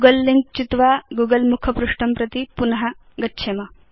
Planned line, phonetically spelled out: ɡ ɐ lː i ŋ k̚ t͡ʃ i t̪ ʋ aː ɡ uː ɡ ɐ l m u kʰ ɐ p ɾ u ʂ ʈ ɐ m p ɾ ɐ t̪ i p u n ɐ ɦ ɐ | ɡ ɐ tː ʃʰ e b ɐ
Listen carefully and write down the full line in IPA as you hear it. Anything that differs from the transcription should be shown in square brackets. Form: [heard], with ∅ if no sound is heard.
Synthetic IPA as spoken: ɡ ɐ lː i ŋ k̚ t͡ʃ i t̪ ʋ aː ɡ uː ɡ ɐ l m u kʰ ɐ p ɾ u ʂ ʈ ɐ m p ɾ ɐ t̪ i p u n ɐ ɦ ɐ | ɡ ɐ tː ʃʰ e [m] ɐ